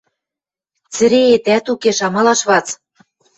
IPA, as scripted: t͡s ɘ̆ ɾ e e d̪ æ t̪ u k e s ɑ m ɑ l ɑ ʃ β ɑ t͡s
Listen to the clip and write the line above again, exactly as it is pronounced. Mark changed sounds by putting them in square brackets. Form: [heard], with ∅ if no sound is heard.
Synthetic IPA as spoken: t͡s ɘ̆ ɾ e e [t̪] æ t̪ u k e [ʃ] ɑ m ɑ l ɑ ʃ β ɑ t͡s